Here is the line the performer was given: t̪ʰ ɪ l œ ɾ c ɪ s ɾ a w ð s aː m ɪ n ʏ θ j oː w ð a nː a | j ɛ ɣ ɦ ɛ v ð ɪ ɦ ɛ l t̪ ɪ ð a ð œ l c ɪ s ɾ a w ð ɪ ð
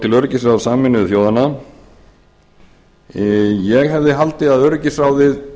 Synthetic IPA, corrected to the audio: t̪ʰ ɪ l œ ɾ c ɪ s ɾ a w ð s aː m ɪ n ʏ θ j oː w ð a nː a | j ɛ ɣ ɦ ɛ v ð ɪ ɦ a l t̪ ɪ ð a ð œ ɾ c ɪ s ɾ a w ð ɪ ð